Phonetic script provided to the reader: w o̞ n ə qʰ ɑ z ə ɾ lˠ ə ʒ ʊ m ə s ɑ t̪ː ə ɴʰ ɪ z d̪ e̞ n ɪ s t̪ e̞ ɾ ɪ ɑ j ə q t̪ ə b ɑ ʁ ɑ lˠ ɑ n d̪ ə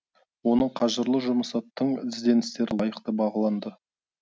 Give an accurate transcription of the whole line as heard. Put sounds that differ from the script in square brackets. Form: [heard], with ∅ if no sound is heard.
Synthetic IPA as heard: w o̞ n ə qʰ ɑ [ʒ] ə ɾ lˠ ə ʒ ʊ m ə s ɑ t̪ː ə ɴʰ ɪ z d̪ e̞ n ɪ s t̪ e̞ ɾ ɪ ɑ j ə q t̪ ə b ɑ ʁ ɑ lˠ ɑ n d̪ ə